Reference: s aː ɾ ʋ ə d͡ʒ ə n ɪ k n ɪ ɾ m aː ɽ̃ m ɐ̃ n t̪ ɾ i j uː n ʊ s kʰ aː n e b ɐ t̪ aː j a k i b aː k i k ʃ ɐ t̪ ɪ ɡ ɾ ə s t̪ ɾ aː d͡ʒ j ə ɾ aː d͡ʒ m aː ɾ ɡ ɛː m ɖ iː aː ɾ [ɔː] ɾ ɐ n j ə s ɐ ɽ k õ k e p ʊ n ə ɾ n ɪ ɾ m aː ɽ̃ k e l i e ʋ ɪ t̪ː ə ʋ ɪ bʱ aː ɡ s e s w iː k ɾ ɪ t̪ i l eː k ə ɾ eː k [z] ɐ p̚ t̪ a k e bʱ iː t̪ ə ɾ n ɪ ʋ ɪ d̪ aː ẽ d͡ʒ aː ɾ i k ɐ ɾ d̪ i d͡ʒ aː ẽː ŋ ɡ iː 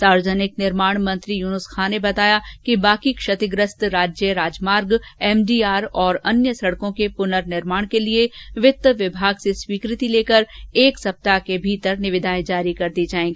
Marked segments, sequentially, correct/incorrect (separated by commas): correct, incorrect